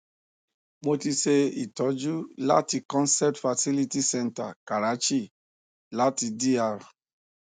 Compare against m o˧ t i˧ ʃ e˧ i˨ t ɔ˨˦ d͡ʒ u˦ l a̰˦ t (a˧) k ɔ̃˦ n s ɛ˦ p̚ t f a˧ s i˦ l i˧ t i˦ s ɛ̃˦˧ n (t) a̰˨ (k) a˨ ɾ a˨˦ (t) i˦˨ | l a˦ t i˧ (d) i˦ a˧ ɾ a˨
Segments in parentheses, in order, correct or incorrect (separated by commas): incorrect, correct, correct, incorrect, correct